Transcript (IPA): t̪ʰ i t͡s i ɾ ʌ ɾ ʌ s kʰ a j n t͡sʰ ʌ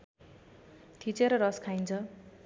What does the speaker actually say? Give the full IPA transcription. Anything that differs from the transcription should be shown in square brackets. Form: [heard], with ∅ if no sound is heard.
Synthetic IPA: t̪ʰ i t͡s [e] ɾ ʌ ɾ ʌ s kʰ a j n t͡sʰ ʌ